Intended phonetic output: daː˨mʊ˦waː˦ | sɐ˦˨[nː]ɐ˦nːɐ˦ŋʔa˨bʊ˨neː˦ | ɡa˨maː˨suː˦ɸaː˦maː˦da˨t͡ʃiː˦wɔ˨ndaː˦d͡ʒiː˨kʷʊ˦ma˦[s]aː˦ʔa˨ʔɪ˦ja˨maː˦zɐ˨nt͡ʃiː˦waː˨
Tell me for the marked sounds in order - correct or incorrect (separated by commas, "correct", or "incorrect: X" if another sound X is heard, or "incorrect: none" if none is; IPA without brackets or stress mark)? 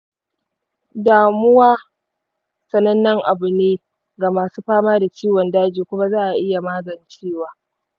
incorrect: n, incorrect: z